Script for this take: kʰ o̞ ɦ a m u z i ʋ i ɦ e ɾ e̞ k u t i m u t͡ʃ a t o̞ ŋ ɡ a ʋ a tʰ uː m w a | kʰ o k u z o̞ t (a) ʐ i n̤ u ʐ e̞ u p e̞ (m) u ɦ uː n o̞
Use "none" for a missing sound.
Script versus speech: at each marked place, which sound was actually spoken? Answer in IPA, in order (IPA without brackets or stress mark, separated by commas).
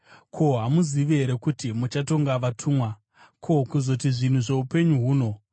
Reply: i, ɲ